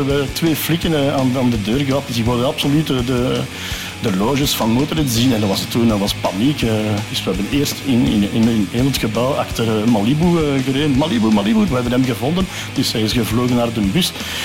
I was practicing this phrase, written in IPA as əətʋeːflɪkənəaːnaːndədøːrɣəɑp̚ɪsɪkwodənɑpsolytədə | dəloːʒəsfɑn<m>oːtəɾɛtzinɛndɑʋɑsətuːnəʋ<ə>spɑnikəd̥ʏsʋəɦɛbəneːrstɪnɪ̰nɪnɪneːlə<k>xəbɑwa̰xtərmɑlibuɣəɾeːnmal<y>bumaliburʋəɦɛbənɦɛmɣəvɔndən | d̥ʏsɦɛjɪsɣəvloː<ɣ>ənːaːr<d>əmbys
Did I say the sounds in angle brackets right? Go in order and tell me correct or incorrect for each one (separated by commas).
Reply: correct, incorrect, incorrect, incorrect, correct, correct